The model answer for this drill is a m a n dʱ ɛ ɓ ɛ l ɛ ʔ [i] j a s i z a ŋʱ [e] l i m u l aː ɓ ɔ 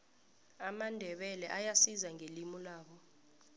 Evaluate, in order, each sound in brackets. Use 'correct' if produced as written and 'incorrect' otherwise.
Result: incorrect: a, correct

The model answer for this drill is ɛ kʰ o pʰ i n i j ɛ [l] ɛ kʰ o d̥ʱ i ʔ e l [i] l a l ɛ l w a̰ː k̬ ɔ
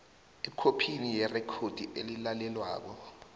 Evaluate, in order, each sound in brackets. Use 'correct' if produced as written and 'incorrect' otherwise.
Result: incorrect: r, correct

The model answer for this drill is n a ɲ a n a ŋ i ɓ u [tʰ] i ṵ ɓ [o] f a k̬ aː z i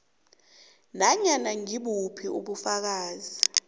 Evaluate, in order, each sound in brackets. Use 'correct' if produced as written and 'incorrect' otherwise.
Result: incorrect: pʰ, incorrect: u

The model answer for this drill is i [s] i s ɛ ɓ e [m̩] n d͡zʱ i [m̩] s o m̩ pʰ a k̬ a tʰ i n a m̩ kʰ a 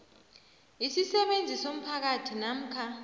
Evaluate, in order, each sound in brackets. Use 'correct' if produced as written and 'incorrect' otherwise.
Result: correct, incorrect: none, incorrect: none

